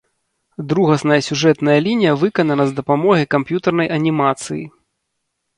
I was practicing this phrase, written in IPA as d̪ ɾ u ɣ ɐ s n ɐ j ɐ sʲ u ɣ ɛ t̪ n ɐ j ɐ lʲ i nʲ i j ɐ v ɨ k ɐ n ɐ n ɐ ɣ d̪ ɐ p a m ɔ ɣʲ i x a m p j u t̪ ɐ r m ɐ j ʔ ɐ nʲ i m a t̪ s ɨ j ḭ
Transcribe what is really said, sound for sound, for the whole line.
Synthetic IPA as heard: d̪ ɾ u ɣ ɐ s n ɐ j ɐ sʲ u ʐ ɛ t̪ n ɐ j ɐ lʲ i nʲ i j ɐ v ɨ k ɐ n ɐ n ɐ z d̪ ɐ p a m ɔ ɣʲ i k a m p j u t̪ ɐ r n ɐ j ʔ ɐ nʲ i m a t̪ s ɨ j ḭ